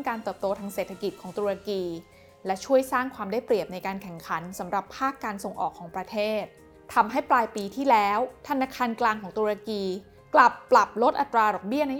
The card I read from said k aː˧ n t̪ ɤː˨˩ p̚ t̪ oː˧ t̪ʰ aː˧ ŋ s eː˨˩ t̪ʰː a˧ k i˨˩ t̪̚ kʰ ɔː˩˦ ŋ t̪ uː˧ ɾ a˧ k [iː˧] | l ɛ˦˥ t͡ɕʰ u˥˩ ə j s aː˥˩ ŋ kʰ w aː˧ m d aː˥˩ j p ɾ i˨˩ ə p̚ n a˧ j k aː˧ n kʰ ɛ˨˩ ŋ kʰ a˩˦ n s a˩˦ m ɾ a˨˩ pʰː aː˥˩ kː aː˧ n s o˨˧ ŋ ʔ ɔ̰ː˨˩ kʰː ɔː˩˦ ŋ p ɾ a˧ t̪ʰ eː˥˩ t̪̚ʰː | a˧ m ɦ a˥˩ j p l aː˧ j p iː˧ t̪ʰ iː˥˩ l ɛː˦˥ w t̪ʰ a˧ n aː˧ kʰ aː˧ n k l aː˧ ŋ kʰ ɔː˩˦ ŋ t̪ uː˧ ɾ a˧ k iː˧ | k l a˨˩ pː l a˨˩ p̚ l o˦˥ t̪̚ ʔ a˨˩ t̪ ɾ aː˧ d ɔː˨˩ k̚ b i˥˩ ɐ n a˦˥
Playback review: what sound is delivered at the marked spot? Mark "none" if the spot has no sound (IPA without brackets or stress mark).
iː˧